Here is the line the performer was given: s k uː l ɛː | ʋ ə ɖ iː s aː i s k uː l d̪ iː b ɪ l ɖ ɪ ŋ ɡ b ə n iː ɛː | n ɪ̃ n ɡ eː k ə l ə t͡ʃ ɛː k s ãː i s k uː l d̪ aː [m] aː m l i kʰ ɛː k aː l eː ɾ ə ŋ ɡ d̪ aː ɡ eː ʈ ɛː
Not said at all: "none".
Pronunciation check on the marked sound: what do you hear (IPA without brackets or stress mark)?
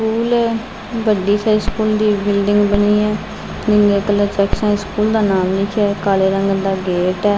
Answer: n